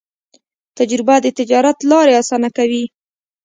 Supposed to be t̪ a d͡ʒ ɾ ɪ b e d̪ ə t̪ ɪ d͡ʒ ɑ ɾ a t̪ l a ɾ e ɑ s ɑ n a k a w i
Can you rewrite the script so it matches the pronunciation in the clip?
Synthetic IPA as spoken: t̪ a d͡ʒ ɾ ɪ b a d̪ ə t̪ ɪ d͡ʒ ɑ ɾ a t̪ l ɑ ɾ e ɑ s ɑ n a k a w i